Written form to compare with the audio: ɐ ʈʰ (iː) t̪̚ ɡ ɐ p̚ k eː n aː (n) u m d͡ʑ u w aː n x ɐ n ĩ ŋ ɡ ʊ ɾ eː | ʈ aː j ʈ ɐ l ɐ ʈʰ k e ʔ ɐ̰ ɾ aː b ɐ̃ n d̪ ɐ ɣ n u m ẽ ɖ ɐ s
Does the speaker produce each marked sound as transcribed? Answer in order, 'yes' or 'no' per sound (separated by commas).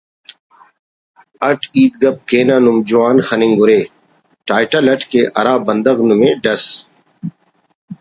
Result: yes, yes